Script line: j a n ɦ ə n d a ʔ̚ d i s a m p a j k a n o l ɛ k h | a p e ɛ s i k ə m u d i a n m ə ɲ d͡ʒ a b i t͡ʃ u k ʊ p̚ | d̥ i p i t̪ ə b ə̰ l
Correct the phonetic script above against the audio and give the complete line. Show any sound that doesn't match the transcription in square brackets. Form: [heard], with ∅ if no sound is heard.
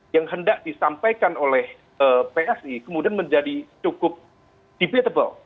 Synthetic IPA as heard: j a [ŋ] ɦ ə n d a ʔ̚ d i s a m p a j k a n o l ɛ [∅] h | [ə] p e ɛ s i k ə m u d i a n m ə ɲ d͡ʒ a [d] i t͡ʃ u k ʊ p̚ | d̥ i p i t̪ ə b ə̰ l